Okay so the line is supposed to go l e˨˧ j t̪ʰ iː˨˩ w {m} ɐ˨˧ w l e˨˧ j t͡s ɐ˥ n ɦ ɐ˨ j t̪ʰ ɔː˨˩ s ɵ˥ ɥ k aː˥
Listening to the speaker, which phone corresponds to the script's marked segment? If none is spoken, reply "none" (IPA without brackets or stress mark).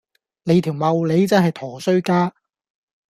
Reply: m